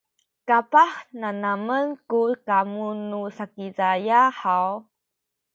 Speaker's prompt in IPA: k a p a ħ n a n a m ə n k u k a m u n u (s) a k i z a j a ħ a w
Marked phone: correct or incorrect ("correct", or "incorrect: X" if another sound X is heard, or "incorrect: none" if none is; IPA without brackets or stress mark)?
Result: correct